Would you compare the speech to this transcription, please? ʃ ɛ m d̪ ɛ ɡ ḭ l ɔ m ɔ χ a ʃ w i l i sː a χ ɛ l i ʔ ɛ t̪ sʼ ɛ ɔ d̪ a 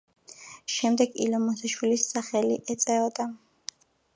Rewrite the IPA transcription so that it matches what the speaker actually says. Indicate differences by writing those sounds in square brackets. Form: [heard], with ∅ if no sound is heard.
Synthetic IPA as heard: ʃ ɛ m d̪ ɛ ɡ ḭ l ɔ m ɔ [s] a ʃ w i l i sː a χ ɛ l i ʔ ɛ t̪ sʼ ɛ ɔ d̪ a

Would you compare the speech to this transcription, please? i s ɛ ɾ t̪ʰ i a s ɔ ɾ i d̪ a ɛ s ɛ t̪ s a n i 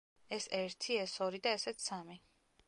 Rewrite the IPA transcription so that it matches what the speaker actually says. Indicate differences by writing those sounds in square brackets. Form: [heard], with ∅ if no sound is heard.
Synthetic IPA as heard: [ɛ] s ɛ ɾ t̪ʰ i [ɛ] s ɔ ɾ i d̪ a ɛ s ɛ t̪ s a [m] i

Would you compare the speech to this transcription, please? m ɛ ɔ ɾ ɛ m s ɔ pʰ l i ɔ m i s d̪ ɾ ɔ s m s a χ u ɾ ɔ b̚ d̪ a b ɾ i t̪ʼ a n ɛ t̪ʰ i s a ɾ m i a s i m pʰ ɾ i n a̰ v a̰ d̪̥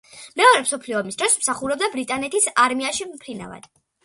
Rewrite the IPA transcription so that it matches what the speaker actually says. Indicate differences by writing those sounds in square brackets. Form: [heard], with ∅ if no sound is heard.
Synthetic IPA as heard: m ɛ ɔ ɾ ɛ m s ɔ pʰ l i ɔ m i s d̪ ɾ ɔ s m s a χ u ɾ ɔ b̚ d̪ a b ɾ i t̪ʼ a n ɛ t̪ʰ i s a ɾ m i a [ʃ] i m pʰ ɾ i n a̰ v a̰ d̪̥

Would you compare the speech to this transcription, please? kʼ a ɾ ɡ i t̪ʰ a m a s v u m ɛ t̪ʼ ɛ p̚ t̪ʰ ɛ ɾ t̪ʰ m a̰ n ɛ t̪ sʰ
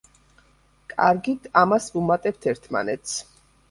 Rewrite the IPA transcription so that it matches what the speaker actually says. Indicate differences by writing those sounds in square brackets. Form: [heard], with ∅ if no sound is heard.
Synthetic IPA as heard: kʼ a ɾ ɡ i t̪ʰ a m a s v u m [a] t̪ʼ ɛ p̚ t̪ʰ ɛ ɾ t̪ʰ m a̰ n ɛ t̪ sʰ

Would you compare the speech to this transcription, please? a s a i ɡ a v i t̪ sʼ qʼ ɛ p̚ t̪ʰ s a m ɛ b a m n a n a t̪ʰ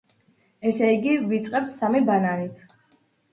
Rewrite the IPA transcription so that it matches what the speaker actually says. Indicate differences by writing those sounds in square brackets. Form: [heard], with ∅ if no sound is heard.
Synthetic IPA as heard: [ɛ] s [ɛ] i ɡ [i] v i t̪ sʼ qʼ ɛ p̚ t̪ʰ s a m [i] b a [∅] n a n [i] t̪ʰ

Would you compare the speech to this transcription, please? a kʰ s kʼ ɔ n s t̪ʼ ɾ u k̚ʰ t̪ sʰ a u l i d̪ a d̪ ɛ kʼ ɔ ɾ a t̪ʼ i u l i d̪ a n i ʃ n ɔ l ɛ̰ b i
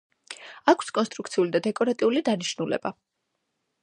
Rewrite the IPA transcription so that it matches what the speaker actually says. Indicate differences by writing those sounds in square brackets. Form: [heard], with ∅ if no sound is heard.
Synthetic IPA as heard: a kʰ s kʼ ɔ n s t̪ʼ ɾ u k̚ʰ t̪ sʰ [i] u l i d̪ a d̪ ɛ kʼ ɔ ɾ a t̪ʼ i u l i d̪ a n i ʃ n [u] l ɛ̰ b [a]

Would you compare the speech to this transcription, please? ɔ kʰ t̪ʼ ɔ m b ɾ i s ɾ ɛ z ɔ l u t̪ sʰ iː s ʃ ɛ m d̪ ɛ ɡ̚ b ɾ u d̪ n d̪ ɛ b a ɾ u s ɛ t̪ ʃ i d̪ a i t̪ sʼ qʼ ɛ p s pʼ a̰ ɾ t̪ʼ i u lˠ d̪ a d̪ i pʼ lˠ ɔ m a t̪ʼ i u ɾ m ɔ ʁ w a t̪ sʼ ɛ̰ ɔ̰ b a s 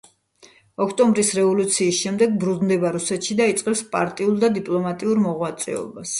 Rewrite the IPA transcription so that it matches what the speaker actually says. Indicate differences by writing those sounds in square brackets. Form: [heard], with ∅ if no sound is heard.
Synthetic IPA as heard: ɔ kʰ t̪ʼ ɔ m b ɾ i s ɾ ɛ [v] ɔ l u t̪ sʰ iː s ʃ ɛ m d̪ ɛ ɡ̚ b ɾ u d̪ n d̪ ɛ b a ɾ u s ɛ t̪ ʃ i d̪ a i t̪ sʼ qʼ ɛ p s pʼ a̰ ɾ t̪ʼ i u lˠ d̪ a d̪ i pʼ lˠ ɔ m a t̪ʼ i u ɾ m ɔ ʁ w a t̪ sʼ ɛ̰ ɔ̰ b a s

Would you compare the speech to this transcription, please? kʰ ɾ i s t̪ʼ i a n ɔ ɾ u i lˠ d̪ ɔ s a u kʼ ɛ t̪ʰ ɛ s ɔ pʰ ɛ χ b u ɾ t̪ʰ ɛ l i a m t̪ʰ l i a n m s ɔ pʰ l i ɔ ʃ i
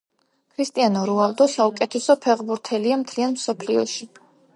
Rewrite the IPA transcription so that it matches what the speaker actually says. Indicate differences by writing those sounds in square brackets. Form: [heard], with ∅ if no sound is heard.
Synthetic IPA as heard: kʰ ɾ i s t̪ʼ i a n ɔ ɾ u [a] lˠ d̪ ɔ s a u kʼ ɛ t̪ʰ ɛ s ɔ pʰ ɛ [ʁ] b u ɾ t̪ʰ ɛ l i a m t̪ʰ l i a n m s ɔ pʰ l i ɔ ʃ i

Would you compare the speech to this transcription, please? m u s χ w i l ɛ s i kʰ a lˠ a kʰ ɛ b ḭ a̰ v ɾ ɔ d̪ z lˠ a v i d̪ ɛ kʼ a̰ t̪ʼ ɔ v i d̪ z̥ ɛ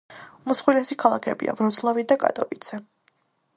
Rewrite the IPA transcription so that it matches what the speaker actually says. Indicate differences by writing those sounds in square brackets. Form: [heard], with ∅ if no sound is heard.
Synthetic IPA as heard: m u s χ w i l ɛ s i kʰ a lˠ a kʰ ɛ b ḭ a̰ v ɾ ɔ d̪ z lˠ a v i d̪ [a] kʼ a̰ t̪ʼ ɔ v i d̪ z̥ ɛ

